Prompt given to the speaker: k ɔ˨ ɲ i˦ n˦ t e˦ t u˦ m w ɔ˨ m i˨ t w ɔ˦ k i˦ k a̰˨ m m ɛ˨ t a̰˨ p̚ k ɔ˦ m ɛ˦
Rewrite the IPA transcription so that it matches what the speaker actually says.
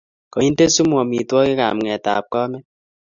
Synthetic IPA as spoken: k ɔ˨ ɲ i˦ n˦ t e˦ s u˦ m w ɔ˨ m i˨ t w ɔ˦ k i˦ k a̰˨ m ŋ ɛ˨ t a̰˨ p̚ k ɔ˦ m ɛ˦

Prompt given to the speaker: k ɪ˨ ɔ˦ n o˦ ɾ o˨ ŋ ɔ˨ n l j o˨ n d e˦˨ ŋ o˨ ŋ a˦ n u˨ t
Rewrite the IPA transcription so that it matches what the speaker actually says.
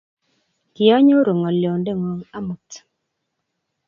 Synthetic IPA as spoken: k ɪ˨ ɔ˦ ɲ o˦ ɾ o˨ ŋ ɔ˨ l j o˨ n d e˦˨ ŋ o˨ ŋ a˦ m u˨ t

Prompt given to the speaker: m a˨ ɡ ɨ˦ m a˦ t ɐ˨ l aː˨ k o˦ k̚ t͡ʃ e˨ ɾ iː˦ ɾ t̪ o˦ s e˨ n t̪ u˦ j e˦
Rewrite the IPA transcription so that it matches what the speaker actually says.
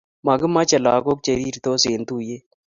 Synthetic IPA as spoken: m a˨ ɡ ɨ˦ m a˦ t͡ʃ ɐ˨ l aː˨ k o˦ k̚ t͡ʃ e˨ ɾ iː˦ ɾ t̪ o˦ s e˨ n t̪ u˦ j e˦

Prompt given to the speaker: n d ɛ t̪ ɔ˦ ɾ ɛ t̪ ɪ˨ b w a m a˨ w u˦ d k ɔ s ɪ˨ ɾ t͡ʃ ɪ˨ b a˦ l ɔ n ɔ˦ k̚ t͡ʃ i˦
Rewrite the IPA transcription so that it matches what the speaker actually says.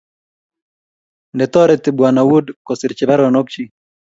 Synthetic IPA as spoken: n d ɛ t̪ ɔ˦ ɾ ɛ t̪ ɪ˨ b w a n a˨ w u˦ d k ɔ s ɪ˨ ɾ t͡ʃ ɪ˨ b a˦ ɾ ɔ n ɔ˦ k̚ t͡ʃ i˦

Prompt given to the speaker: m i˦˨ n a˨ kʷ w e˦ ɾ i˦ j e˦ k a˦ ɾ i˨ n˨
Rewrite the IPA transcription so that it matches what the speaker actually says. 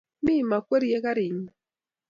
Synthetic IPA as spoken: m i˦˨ m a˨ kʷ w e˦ ɾ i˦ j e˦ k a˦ ɾ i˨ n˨

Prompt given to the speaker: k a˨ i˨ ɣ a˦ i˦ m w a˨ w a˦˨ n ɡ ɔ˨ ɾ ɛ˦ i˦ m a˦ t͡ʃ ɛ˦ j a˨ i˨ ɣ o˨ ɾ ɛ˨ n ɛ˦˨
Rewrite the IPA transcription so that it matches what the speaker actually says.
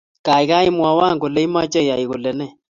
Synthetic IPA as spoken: k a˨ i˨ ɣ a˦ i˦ m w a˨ w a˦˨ ŋ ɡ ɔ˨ l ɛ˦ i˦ m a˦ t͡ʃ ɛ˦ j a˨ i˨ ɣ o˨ l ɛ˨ n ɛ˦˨

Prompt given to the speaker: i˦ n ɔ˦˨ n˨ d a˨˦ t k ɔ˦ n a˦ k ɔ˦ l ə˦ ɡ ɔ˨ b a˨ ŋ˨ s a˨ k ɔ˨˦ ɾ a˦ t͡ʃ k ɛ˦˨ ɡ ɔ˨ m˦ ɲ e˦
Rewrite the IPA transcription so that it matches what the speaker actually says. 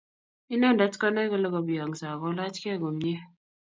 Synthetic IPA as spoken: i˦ n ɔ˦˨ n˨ d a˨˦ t k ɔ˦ n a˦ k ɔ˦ l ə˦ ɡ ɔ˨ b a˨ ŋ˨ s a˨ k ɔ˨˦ l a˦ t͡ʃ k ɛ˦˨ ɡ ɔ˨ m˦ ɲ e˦

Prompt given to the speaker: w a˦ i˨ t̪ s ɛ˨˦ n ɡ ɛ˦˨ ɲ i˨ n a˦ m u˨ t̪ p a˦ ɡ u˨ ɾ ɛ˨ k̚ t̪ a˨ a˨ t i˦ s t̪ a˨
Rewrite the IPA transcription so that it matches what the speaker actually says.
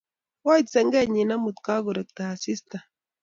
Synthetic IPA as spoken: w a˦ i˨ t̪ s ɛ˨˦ ŋ ɡ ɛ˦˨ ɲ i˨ n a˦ m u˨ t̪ k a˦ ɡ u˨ ɾ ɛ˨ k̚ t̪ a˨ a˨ s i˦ s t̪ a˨

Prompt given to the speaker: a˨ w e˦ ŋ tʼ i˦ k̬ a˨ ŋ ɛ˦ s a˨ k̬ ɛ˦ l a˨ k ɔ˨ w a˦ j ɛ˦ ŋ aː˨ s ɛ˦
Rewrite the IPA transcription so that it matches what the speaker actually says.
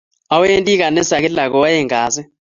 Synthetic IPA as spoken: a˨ w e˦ n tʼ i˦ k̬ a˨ n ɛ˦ s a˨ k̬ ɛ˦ l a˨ k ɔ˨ w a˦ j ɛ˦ ŋ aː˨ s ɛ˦

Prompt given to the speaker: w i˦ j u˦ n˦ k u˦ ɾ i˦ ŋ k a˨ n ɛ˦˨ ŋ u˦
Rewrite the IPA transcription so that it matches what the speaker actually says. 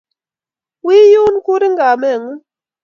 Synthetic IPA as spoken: w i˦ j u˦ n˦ k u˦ ɾ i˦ ŋ ɡ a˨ m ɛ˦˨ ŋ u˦

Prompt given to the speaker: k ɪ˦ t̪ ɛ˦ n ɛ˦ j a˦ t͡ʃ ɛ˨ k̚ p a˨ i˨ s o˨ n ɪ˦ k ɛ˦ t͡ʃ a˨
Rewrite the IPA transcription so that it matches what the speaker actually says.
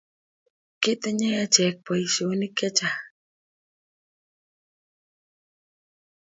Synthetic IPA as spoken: k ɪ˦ t̪ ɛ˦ ɲ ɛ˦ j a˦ t͡ʃ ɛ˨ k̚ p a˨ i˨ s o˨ n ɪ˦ k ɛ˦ t͡ʃ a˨

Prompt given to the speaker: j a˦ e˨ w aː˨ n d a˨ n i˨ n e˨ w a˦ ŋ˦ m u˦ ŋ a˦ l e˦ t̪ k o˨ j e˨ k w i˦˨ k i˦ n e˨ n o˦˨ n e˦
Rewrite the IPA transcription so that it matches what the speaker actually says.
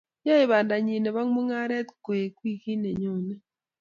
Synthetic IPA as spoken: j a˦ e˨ β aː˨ n d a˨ ɲ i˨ n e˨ β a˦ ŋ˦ m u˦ ŋ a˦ ɾ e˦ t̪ k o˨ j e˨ k w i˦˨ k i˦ n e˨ ɲ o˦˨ n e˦

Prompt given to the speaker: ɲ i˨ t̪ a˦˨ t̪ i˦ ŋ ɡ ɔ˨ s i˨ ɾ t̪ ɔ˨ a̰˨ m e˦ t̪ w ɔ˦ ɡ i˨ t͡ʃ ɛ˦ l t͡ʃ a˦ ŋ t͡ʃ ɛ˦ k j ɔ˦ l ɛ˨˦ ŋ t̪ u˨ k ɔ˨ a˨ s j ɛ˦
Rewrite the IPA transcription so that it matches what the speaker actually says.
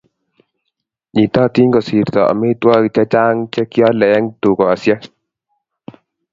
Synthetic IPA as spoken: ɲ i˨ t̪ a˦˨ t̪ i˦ ŋ ɡ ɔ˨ s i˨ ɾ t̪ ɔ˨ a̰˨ m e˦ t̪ w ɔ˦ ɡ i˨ t͡ʃ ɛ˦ t͡ʃ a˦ ŋ t͡ʃ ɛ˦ k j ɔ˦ l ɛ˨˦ ŋ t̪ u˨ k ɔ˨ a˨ s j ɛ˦

